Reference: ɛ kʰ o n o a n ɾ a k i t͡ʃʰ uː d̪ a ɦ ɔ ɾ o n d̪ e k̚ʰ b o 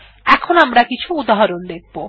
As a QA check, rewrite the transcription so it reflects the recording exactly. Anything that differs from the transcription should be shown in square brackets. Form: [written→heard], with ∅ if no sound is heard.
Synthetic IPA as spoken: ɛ kʰ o n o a [n→m] ɾ a k i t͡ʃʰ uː d̪ a ɦ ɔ ɾ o n d̪ e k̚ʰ b o